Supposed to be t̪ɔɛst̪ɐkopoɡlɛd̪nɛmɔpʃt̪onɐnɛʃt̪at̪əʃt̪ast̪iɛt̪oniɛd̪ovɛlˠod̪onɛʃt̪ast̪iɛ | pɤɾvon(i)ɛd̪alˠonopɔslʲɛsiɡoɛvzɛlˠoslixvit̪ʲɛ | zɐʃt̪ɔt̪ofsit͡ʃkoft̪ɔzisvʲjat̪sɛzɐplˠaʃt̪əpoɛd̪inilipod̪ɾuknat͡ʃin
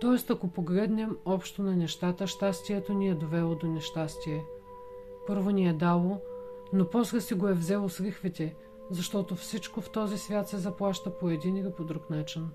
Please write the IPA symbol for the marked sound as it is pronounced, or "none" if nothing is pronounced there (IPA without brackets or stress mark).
i